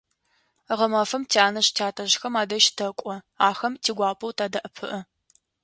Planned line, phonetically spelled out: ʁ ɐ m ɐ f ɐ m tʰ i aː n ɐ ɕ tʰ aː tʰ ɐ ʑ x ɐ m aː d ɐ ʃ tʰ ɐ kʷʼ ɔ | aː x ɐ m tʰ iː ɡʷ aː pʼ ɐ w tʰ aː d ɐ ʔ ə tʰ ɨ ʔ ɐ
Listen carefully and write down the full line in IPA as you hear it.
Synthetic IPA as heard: ʁ ɐ m ɐ f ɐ m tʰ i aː n ɐ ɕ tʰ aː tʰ ɐ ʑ x ɐ m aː d ɐ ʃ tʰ ɐ kʷʼ ɔ | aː x ɐ m tʰ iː ɡʷ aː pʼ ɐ w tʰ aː d ɐ ʔ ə pʰ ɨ ʔ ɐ